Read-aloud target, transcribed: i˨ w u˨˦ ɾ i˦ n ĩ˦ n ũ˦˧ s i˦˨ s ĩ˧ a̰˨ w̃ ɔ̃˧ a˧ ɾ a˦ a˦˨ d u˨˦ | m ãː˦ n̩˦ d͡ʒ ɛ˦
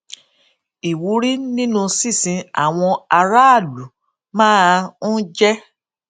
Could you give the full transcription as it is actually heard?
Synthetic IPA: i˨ w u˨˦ ɾ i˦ n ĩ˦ n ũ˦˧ s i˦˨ s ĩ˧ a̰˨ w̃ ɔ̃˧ a˧ ɾ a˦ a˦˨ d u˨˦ | m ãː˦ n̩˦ d͡ʒ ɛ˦